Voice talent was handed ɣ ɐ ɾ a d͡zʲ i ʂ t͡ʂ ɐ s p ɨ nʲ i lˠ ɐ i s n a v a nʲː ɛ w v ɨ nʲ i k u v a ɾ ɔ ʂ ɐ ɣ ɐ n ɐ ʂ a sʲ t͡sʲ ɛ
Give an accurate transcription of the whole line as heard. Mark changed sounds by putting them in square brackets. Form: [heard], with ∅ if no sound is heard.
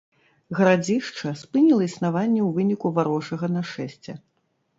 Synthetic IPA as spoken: ɣ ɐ ɾ a d͡zʲ i ʂ t͡ʂ ɐ s p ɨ nʲ i lˠ ɐ i s n a v a nʲː ɛ w v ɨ nʲ i k u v a ɾ ɔ ʂ ɐ ɣ ɐ n ɐ ʂ [ɛ] sʲ t͡sʲ ɛ